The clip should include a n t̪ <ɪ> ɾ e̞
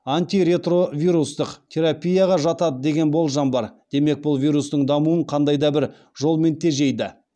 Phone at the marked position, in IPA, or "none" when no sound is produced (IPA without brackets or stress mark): i